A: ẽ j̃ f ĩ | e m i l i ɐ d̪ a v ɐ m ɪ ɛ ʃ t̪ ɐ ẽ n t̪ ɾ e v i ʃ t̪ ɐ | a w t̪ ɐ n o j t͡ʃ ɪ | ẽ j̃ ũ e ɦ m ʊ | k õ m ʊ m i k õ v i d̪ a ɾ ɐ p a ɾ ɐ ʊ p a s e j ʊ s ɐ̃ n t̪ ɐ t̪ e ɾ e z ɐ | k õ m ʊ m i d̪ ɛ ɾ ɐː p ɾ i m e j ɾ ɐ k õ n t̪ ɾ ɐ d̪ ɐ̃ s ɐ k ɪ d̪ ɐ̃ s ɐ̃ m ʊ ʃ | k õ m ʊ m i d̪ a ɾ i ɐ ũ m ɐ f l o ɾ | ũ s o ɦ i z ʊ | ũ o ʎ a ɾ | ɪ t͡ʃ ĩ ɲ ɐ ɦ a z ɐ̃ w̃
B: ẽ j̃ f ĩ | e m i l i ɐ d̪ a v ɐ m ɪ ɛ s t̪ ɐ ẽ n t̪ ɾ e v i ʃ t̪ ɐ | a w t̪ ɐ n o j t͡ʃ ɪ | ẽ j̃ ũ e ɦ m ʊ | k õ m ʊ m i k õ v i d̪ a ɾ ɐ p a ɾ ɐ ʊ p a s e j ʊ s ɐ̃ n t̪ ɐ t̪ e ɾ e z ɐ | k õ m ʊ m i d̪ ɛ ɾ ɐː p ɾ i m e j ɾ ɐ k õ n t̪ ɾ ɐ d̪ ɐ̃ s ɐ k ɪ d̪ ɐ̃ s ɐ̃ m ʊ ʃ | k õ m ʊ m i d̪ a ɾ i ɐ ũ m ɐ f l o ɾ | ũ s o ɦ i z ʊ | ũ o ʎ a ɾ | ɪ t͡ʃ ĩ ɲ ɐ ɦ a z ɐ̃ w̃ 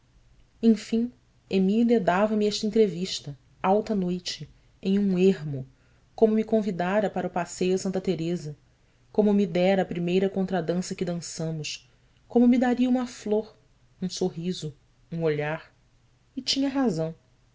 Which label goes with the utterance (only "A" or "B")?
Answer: A